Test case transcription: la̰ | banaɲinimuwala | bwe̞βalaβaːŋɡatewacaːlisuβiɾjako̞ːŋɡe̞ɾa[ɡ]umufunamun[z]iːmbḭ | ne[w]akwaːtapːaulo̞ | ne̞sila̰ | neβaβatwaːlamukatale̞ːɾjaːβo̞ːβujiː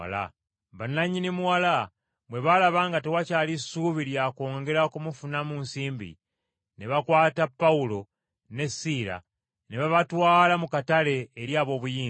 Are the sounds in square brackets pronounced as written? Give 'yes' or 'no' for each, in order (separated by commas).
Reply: no, no, no